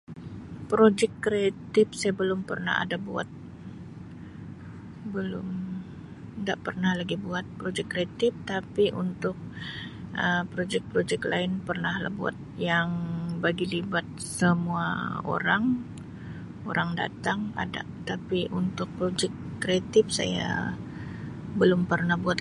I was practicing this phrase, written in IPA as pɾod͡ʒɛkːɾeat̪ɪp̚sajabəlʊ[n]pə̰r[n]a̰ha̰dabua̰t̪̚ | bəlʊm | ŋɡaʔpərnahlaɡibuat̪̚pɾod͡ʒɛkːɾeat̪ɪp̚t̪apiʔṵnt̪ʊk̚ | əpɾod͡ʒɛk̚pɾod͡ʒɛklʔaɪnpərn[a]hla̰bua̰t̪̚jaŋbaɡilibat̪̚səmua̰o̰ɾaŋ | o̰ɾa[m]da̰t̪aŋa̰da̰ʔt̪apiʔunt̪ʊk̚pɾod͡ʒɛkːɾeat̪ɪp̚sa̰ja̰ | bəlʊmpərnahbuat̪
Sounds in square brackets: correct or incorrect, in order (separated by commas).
incorrect, correct, correct, incorrect